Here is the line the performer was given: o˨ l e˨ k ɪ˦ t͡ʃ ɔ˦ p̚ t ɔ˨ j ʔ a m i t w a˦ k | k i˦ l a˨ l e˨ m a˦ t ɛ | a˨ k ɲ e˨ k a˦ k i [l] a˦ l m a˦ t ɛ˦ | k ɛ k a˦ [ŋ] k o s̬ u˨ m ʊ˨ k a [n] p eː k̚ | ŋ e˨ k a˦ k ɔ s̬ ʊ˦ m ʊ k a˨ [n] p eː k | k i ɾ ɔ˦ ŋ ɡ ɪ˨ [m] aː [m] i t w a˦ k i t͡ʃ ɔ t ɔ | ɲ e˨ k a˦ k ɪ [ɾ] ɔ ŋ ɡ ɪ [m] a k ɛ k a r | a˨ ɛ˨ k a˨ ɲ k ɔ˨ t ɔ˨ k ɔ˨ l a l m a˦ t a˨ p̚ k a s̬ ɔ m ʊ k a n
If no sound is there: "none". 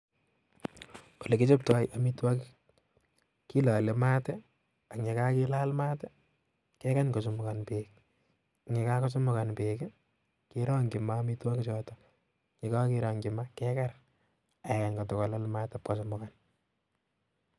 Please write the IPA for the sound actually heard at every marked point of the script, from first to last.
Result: l, ɲ, n, n, m, m, ɾ, m

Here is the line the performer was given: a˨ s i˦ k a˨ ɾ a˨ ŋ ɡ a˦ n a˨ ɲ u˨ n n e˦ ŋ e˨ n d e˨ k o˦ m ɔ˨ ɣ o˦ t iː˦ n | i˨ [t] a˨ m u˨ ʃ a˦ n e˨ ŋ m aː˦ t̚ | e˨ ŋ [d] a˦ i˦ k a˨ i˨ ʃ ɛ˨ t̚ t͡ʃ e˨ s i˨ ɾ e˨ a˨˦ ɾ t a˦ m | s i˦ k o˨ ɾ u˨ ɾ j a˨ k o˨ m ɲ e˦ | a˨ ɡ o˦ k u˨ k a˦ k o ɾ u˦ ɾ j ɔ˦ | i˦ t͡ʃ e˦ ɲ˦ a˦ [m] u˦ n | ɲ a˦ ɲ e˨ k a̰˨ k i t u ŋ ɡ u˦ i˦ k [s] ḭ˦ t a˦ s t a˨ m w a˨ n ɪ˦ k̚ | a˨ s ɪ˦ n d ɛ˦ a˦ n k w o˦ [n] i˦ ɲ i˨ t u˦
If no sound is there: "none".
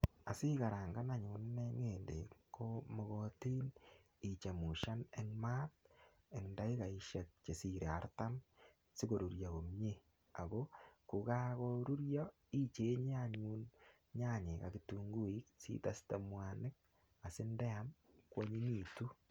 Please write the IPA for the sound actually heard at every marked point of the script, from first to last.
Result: t͡ʃ, d, ɲ, s, ɲ

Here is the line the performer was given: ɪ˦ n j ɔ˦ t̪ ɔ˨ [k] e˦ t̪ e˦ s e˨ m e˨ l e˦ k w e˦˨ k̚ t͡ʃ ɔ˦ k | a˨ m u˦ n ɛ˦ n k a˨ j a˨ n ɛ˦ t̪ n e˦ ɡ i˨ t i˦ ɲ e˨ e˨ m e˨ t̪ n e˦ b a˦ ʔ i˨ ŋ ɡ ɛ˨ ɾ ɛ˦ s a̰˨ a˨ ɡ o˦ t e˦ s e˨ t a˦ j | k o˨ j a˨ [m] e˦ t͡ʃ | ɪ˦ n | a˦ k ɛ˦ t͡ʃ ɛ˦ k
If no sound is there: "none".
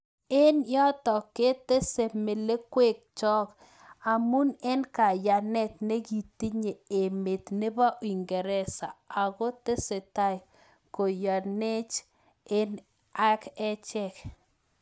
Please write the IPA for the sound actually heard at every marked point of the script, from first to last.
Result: k, n

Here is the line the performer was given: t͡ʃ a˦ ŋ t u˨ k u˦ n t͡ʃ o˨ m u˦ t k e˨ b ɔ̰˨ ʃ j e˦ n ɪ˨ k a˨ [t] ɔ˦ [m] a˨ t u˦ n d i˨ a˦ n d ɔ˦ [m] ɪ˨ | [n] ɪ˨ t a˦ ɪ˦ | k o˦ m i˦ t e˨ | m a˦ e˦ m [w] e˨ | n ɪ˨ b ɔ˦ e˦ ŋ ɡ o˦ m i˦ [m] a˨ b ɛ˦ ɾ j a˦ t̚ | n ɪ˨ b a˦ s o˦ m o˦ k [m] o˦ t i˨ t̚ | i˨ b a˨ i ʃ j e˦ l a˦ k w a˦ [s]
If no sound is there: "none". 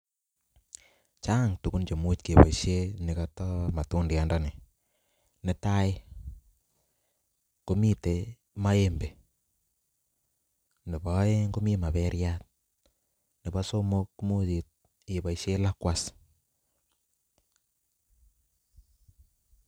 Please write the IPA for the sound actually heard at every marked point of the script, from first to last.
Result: t, m, n, n, b, m, m, s

